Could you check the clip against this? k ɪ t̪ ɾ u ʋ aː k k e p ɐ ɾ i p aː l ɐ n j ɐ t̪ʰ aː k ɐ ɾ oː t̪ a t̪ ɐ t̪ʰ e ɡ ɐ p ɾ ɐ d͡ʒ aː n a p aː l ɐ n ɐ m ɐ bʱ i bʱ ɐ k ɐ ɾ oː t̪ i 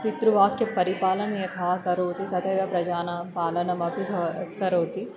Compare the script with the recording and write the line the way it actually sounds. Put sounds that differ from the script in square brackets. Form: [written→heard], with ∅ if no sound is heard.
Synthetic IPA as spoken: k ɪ t̪ ɾ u ʋ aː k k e p ɐ ɾ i p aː l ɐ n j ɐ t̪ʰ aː k ɐ ɾ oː t̪ [a→i] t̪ ɐ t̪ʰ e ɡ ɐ p ɾ ɐ d͡ʒ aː n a p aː l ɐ n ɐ m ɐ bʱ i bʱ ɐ k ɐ ɾ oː t̪ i